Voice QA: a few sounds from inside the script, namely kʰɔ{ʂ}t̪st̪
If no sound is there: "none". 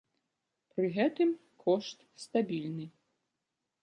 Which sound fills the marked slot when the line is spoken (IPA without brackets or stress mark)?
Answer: ʂ